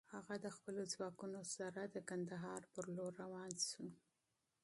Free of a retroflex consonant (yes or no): yes